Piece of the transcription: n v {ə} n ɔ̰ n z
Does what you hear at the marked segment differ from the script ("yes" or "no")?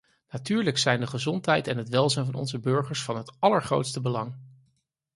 yes